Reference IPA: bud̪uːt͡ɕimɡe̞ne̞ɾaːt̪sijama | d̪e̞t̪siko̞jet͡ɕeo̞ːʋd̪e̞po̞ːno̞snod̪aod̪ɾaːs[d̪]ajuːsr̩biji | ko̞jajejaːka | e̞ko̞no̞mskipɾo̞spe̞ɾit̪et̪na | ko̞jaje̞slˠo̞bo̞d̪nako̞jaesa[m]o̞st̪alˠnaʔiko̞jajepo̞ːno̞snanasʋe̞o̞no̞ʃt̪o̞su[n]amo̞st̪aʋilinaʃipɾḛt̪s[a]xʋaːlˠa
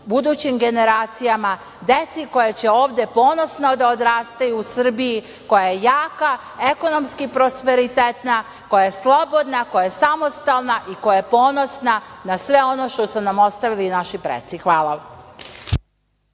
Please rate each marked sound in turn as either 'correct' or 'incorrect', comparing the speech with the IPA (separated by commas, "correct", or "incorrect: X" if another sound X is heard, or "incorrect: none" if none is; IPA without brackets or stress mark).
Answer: incorrect: t̪, correct, correct, incorrect: i